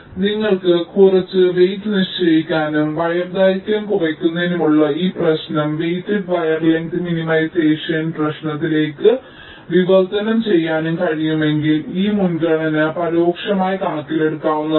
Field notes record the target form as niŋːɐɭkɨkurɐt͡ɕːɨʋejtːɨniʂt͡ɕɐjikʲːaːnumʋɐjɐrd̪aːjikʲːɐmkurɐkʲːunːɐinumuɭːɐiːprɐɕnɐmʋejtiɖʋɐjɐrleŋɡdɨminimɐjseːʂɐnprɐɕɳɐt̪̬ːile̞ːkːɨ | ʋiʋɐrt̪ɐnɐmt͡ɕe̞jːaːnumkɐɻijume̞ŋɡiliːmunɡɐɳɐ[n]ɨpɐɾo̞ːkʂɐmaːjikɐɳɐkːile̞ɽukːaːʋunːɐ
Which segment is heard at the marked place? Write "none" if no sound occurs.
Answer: n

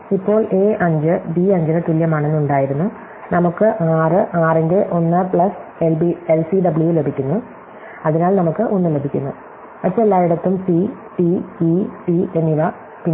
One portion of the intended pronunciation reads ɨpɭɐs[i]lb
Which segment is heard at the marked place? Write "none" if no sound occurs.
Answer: e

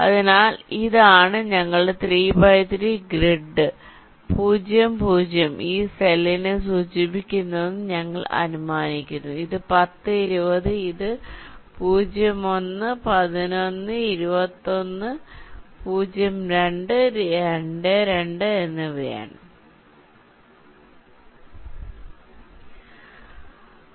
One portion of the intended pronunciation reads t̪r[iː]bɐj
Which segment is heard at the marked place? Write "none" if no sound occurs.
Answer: iː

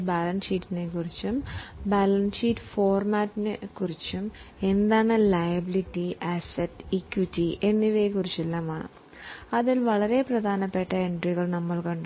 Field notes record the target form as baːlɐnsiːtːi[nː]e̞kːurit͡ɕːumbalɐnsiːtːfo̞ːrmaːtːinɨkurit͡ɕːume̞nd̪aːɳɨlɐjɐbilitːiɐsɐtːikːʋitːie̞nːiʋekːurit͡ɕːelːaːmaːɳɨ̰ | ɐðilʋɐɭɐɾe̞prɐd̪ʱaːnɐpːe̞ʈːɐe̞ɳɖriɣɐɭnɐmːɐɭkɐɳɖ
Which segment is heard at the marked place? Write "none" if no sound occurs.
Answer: n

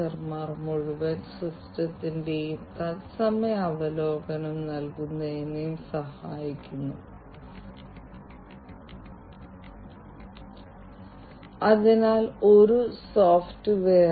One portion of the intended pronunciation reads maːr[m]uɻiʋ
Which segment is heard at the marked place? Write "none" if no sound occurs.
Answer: m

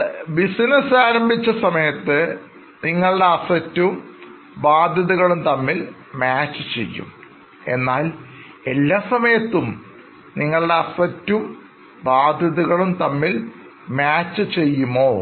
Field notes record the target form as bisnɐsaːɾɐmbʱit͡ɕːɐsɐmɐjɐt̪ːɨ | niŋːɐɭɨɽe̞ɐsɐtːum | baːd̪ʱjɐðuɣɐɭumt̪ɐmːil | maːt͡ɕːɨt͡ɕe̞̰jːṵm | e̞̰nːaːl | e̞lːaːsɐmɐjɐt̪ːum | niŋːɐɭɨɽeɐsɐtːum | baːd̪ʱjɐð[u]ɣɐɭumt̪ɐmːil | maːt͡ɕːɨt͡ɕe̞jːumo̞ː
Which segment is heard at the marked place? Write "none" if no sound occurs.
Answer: u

